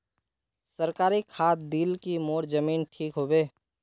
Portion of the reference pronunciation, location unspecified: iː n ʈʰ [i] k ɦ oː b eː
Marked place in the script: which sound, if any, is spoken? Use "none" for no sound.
iː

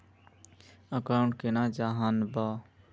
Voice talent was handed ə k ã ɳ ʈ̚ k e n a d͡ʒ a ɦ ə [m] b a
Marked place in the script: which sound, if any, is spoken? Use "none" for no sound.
n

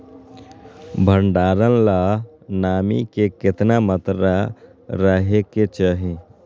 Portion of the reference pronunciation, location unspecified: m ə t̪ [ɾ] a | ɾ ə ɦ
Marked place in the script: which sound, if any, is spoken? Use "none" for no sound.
ɾ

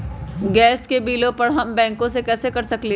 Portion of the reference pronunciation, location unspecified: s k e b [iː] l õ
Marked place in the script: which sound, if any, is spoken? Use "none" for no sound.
iː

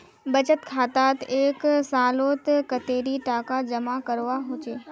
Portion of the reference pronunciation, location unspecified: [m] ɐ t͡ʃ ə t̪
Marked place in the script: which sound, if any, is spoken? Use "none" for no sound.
b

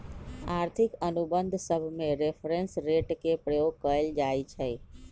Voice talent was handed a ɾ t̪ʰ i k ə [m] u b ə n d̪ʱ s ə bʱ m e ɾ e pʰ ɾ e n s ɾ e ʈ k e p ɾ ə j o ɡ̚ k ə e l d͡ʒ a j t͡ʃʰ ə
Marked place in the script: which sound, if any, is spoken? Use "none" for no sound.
n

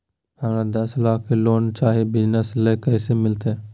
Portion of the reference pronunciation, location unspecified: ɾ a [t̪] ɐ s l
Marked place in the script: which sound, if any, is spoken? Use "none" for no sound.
d̪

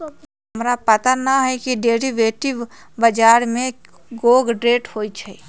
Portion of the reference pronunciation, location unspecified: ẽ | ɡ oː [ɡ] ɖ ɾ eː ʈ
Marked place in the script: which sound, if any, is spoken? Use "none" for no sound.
ɡ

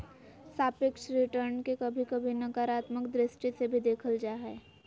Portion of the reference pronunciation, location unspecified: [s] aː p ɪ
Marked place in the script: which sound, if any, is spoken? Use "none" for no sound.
s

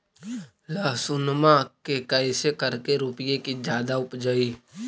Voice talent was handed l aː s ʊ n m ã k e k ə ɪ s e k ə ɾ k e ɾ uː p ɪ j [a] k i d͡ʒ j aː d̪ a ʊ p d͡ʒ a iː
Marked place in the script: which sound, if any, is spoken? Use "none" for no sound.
e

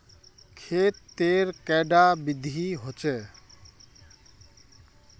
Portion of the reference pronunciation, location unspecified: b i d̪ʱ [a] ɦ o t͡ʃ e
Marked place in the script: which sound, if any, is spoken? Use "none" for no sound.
i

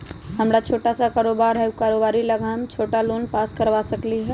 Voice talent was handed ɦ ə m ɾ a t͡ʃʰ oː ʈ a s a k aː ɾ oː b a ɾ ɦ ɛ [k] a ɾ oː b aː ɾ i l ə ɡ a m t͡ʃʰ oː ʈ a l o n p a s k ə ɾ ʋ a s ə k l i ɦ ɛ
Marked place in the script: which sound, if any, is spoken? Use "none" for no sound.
k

